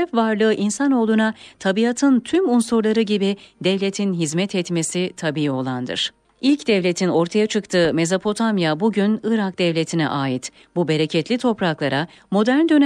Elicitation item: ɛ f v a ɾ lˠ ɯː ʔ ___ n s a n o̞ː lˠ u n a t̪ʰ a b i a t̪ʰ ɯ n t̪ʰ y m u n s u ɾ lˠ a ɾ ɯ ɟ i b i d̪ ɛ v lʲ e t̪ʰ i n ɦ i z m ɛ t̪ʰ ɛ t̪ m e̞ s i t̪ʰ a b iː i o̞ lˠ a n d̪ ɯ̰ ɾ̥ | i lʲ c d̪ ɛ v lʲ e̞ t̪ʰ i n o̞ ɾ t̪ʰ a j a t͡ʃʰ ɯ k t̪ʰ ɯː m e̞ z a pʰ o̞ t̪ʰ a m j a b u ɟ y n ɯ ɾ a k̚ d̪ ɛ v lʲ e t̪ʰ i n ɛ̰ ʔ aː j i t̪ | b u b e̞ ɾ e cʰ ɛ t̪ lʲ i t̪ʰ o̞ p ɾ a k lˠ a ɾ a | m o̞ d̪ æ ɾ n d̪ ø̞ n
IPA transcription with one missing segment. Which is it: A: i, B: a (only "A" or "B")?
A